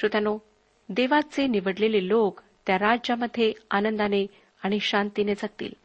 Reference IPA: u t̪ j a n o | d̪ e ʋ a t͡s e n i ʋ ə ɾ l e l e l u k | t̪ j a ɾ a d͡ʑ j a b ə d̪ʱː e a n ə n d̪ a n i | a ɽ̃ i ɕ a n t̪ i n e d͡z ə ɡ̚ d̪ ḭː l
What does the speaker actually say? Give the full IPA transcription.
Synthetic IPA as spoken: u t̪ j a n o | d̪ e ʋ a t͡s e n i ʋ ə ɽ l e l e l o k | t̪ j a ɾ a d͡ʑ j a m ə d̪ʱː e a n ə n d̪ a n e | a ɽ̃ i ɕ a n t̪ i n e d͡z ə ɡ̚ t̪ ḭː l